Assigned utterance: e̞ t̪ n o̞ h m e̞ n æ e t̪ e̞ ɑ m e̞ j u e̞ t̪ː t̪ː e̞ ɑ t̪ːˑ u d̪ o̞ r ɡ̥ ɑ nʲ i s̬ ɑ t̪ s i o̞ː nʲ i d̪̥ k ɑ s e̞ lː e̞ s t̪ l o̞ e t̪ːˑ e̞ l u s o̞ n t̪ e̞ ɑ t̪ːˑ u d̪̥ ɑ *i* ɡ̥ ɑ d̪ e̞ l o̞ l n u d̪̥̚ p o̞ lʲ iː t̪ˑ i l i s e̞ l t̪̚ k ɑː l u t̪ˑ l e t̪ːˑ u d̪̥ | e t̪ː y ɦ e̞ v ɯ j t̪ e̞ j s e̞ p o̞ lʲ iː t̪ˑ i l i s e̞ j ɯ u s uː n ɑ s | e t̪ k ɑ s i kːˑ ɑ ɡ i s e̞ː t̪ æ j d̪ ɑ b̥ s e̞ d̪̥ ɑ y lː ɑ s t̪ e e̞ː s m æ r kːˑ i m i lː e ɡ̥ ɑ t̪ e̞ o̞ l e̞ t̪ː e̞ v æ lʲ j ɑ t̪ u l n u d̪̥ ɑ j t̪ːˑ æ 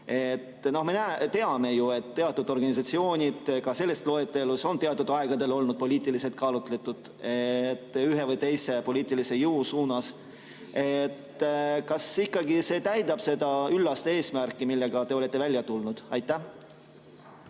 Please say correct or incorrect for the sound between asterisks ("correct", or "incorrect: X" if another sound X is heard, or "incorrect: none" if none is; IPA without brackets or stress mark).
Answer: incorrect: e